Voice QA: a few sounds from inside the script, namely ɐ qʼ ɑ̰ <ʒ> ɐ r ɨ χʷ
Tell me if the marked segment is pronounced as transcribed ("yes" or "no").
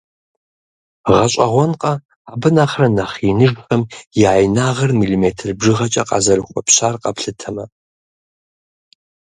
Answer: no